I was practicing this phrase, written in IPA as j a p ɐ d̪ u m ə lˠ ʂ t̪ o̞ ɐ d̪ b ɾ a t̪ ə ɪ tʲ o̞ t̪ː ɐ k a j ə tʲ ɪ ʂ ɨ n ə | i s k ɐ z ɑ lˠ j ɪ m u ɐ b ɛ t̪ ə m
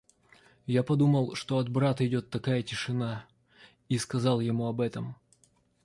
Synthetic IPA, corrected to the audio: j a p ɐ d̪ u m ə lˠ ʂ t̪ o̞ ɐ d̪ b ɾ a t̪ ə ɪ dʲ o̞ t̪ː ɐ k a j ə tʲ ɪ ʂ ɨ n a | i s k ɐ z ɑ lˠ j ɪ m u ɐ b ɛ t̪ ə m